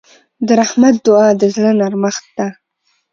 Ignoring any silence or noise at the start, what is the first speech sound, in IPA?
d̪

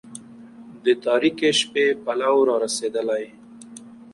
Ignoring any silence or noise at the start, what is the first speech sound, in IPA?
d̪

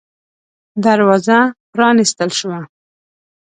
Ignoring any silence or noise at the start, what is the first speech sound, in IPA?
d̪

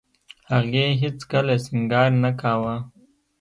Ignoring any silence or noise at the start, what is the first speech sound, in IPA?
h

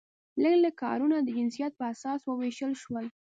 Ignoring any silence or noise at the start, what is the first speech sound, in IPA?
l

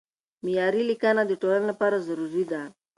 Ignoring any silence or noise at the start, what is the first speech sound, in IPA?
m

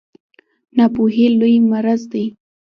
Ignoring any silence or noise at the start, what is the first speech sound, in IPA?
n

